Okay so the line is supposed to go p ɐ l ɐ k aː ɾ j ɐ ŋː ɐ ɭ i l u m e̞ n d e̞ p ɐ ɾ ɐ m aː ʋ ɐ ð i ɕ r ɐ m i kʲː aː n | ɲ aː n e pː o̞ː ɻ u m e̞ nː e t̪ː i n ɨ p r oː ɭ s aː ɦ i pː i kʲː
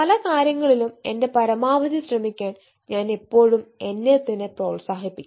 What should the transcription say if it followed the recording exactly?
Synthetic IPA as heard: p ɐ l ɐ k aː ɾ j ɐ ŋː ɐ ɭ i l u m e̞ n d e̞ p ɐ ɾ ɐ m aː ʋ ɐ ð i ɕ r ɐ m i kʲː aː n | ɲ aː n e pː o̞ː ɻ u m e̞ nː e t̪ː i n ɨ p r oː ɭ s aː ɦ i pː i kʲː